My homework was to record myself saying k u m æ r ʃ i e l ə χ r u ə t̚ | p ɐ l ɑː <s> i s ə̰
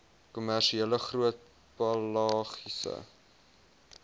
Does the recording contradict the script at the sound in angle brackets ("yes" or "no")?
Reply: yes